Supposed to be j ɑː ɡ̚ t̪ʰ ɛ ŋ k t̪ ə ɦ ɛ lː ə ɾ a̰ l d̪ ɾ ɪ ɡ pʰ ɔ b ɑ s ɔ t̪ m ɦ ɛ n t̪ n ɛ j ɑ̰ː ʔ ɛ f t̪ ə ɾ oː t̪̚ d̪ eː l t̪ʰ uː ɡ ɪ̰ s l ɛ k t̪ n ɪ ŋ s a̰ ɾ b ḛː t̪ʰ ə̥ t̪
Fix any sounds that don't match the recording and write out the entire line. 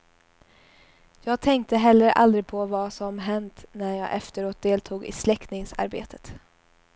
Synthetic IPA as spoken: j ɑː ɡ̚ t̪ʰ ɛ ŋ k t̪ ə ɦ ɛ lː ə ɾ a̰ l d̪ ɾ ɪ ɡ pʰ ɔ v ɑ s ɔ m ɦ ɛ n t̪ n æ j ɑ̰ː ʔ ɛ f t̪ ə ɾ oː t̪̚ d̪ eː l t̪ʰ uː ɡ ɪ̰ s l ɛ k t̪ n ɪ ŋ s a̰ ɾ b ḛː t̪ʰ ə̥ t̪